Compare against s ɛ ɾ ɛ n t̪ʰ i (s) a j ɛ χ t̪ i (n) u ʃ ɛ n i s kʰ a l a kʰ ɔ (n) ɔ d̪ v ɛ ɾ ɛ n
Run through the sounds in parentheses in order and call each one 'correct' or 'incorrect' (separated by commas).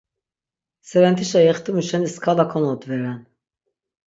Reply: incorrect, incorrect, correct